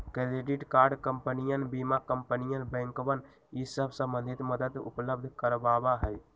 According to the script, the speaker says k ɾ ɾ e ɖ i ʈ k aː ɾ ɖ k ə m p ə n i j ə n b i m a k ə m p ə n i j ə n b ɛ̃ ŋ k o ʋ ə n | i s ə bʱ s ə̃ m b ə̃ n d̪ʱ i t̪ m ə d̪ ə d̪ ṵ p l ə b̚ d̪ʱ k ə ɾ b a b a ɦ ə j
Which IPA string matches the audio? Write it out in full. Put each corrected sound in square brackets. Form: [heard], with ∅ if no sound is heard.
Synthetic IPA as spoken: k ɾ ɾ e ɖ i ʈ k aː ɾ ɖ k ə m p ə n i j ə n b i m a k ə m p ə n i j ə n b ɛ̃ ŋ k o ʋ ə n | i s ə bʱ s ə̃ m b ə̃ n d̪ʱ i t̪ m ə d̪ ə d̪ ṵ p l ə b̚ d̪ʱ k ə ɾ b a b a ɦ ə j